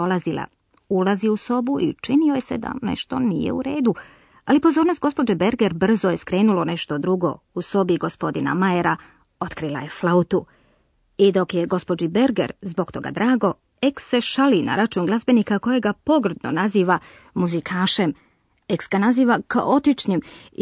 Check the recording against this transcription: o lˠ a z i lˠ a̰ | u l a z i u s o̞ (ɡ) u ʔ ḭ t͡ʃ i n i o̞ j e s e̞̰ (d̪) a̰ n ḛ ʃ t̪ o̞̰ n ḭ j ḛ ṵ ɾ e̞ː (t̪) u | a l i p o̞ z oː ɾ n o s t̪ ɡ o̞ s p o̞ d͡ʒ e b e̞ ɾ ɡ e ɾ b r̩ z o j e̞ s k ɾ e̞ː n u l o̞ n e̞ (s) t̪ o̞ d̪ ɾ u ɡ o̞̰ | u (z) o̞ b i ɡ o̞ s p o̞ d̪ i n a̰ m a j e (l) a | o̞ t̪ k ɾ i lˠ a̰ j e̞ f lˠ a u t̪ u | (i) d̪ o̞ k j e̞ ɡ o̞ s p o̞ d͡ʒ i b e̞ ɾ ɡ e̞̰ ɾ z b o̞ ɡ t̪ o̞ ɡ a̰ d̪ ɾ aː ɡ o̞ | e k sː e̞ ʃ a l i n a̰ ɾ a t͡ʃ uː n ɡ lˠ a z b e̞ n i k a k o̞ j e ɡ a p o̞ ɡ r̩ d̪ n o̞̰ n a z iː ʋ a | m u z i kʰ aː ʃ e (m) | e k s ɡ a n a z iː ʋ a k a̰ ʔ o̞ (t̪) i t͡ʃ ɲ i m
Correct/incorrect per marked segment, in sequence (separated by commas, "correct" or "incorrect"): incorrect, correct, incorrect, incorrect, incorrect, incorrect, correct, correct, correct